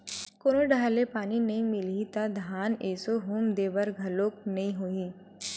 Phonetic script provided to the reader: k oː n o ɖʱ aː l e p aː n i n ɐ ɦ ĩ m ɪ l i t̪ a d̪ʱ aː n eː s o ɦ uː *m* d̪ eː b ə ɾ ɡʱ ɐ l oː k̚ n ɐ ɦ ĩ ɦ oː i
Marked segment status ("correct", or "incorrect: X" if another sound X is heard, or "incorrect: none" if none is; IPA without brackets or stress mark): correct